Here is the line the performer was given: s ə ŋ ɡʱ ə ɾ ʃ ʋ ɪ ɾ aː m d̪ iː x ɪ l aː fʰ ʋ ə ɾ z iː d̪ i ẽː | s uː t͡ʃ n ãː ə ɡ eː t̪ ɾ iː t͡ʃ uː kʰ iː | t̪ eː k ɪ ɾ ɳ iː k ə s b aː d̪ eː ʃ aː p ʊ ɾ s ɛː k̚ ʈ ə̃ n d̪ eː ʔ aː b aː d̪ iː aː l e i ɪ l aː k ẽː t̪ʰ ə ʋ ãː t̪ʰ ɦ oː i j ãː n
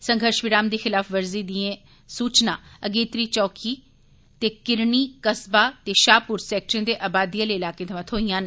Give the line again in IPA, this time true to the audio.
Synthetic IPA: s ə ŋ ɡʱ ə ɾ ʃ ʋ ɪ ɾ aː m d̪ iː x ɪ l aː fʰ ʋ ə ɾ z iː d̪ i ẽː | s uː t͡ʃ n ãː ə ɡ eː t̪ ɾ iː t͡ʃ ɔː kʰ iː | t̪ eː k ɪ ɾ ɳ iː k ə s b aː t̪ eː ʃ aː p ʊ ɾ s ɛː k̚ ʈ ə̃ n d̪ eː ʔ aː b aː d̪ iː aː l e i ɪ l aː k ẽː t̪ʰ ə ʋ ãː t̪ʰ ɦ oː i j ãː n